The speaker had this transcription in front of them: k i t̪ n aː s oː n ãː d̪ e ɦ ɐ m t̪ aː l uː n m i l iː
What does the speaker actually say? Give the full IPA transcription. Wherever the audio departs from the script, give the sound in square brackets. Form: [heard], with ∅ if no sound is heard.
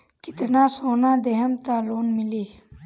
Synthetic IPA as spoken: k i t̪ n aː s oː n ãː d̪ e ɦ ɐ m t̪ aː l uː n m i l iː